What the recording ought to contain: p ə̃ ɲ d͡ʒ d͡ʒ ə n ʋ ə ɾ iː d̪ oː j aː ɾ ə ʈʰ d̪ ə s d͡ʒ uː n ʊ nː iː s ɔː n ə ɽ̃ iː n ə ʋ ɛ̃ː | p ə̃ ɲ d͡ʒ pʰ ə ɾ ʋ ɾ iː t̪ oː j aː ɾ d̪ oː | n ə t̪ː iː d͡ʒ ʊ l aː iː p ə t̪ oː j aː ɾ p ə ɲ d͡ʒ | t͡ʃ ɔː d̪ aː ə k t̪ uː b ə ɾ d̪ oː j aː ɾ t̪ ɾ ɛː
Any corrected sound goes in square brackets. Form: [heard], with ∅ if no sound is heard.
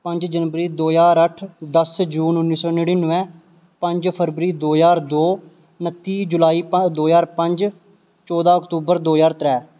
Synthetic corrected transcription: p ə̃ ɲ d͡ʒ d͡ʒ ə n ʋ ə ɾ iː d̪ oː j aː ɾ ə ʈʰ d̪ ə s d͡ʒ uː n ʊ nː iː s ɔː n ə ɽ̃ iː n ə ʋ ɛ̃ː | p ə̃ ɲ d͡ʒ pʰ ə ɾ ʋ ɾ iː [d̪] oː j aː ɾ d̪ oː | n ə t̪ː iː d͡ʒ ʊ l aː iː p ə [d̪] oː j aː ɾ p ə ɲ d͡ʒ | t͡ʃ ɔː d̪ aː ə k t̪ uː b ə ɾ d̪ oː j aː ɾ t̪ ɾ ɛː